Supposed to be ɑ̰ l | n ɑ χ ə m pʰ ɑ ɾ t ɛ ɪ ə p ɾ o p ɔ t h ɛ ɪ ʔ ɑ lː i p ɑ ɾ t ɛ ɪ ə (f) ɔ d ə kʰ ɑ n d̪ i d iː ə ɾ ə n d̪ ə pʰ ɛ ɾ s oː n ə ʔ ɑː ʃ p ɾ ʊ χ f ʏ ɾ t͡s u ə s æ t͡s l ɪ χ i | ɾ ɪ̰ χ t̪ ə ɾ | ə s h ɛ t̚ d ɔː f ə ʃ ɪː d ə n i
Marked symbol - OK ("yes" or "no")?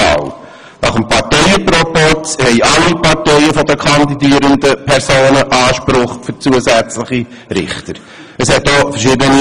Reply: yes